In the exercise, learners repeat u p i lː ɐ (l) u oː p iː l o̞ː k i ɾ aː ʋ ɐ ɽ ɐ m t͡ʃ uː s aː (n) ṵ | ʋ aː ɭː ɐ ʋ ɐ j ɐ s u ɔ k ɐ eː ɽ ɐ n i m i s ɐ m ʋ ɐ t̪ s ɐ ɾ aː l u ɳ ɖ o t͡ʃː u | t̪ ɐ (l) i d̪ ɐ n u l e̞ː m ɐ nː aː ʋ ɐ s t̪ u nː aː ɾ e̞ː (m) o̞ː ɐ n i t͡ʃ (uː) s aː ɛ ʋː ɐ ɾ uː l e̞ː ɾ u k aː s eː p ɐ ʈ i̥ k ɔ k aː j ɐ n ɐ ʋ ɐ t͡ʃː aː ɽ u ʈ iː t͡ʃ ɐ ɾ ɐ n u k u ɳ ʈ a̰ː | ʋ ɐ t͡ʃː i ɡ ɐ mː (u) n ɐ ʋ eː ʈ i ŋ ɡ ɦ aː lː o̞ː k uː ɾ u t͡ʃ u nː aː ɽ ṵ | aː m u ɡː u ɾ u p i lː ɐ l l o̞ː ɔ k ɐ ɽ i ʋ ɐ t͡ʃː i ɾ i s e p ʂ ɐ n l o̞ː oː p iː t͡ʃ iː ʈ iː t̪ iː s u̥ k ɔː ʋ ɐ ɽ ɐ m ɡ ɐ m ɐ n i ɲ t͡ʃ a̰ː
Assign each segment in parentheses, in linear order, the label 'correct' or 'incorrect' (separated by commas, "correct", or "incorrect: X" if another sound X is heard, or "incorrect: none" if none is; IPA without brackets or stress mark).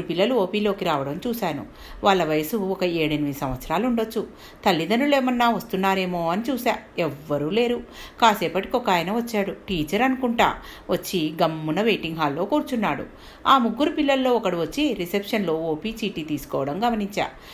correct, correct, incorrect: lː, correct, correct, correct